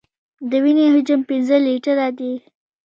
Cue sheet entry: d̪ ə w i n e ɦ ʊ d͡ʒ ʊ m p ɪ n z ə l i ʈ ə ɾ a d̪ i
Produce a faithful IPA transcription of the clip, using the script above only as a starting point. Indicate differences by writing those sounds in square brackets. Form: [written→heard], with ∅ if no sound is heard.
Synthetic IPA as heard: d̪ ə w i n e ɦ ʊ d͡ʒ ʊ m p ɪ n z ə l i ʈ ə ɾ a d̪ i